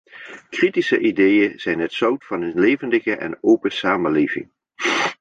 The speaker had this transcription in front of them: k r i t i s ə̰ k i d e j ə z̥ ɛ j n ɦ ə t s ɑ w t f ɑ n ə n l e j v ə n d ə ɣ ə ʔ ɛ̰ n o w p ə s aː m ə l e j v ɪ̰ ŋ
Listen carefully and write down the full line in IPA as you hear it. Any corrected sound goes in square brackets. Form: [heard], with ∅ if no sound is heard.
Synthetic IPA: k r i t i s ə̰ [ʔ] i d e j ə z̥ ɛ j n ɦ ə t s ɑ w t f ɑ n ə n l e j v ə n d ə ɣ ə ʔ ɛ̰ n o w p ə s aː m ə l e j v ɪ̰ ŋ